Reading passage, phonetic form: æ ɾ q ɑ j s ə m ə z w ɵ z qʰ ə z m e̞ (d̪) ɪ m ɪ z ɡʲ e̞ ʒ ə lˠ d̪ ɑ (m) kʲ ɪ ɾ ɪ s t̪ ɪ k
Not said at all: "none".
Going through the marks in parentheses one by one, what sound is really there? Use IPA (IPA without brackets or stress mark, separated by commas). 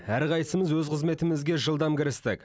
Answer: t̪, m